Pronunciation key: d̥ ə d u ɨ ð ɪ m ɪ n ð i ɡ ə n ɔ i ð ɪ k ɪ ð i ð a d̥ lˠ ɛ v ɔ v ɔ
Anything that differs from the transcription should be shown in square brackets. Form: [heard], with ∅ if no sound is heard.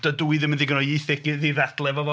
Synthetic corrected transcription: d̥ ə d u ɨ ð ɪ m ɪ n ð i ɡ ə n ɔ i [θ] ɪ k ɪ ð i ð a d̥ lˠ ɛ v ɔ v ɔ

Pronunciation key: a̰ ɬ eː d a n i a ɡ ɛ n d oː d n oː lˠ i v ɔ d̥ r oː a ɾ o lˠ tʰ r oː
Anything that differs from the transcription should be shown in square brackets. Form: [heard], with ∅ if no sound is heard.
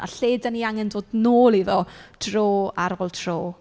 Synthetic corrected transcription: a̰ ɬ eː d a n i a [ŋ] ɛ n d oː d n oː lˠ i [ð] ɔ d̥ r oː a ɾ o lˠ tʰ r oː

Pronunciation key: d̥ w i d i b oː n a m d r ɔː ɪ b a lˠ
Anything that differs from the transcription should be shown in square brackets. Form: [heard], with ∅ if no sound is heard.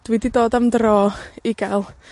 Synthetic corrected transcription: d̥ w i d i [d] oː [d] a m d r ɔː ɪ [ɡ] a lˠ

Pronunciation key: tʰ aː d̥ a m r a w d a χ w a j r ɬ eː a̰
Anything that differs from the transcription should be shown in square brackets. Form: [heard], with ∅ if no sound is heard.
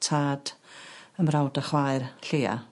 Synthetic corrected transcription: tʰ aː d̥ [ə] m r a w d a χ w a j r ɬ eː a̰

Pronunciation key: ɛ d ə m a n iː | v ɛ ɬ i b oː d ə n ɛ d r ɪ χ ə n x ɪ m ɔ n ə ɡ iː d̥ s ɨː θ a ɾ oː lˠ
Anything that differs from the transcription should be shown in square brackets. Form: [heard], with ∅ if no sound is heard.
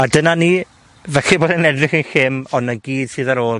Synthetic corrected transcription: [a] d ə [n] a n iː | v ɛ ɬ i b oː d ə n ɛ d r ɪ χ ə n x ɪ m ɔ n ə ɡ iː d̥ s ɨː [ð] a ɾ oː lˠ

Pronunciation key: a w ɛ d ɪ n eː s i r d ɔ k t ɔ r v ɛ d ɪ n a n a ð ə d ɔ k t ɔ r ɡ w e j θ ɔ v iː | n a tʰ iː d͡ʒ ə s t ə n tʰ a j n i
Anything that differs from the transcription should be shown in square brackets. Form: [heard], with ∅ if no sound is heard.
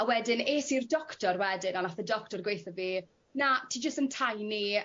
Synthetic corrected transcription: a w ɛ d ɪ n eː s i r d ɔ k t ɔ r [w] ɛ d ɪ n a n a [θ] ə d ɔ k t ɔ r ɡ w e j θ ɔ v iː | n a tʰ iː d͡ʒ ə s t ə n tʰ a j n i

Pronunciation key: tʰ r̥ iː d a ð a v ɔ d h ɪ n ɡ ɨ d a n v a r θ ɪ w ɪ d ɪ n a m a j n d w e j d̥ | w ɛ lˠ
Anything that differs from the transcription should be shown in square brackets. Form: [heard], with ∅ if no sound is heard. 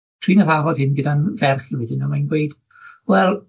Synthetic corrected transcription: tʰ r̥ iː [n] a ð a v ɔ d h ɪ n ɡ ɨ d a n v [ɛ] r [χ] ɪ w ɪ d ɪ n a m a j n [ɡ] w e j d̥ | w ɛ lˠ

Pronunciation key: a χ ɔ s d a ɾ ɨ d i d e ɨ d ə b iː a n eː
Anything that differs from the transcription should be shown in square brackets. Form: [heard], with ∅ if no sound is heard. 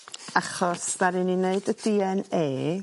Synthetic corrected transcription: a χ ɔ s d a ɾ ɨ [n] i [n] e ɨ d ə [d] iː [ɛ] n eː

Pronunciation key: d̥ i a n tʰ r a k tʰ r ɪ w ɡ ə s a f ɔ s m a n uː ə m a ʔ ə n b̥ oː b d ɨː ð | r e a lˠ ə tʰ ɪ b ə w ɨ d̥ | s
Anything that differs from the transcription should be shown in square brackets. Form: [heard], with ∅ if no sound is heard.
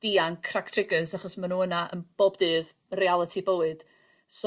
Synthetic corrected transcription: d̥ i a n [kʰ] r a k tʰ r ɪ [∅] ɡ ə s a [χ] ɔ s m a n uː ə [n] a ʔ ə n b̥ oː b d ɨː ð | r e a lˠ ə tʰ [i] b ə w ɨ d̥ | s

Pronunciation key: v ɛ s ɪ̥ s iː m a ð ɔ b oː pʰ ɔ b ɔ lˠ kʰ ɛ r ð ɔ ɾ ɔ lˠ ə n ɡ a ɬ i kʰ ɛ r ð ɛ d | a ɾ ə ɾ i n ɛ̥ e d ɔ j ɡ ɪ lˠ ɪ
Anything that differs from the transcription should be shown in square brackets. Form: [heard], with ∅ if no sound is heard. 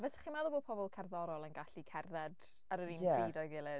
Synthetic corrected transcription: v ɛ s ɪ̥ [χ] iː m a ð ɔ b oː pʰ ɔ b ɔ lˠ kʰ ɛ r ð ɔ ɾ ɔ lˠ ə n ɡ a ɬ i kʰ ɛ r ð ɛ d | a ɾ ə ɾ i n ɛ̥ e d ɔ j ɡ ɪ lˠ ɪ

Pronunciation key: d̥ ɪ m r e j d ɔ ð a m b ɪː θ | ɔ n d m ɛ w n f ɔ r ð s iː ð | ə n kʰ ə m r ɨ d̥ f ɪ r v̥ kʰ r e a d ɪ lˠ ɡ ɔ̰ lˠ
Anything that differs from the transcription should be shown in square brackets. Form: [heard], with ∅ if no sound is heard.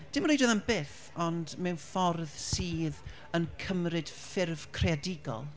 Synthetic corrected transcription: d̥ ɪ m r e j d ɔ ð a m b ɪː θ | ɔ n d m ɛ w n f ɔ r ð s iː ð | ə n kʰ ə m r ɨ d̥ f ɪ r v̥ kʰ r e a d ɪ [∅] ɡ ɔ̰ lˠ

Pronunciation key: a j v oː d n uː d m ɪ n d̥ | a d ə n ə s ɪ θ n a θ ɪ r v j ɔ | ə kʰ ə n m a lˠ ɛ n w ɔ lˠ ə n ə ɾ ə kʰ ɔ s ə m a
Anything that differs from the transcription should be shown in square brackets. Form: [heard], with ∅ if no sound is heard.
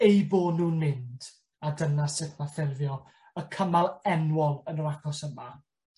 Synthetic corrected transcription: [e] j [b] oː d n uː [n] m ɪ n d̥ | a d ə n [a] s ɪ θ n a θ ɪ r v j ɔ | ə kʰ ə [∅] m a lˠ ɛ n w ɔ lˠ ə n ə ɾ [a] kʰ ɔ s ə m a

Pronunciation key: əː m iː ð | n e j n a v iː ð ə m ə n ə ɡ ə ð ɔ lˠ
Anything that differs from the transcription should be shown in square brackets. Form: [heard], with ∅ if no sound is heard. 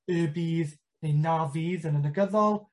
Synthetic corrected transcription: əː [b] iː ð | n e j n a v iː ð ə [n] ə n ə ɡ ə ð ɔ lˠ

